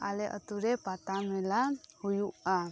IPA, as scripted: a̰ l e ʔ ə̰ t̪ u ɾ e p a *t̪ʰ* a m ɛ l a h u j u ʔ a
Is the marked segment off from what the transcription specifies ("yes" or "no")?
yes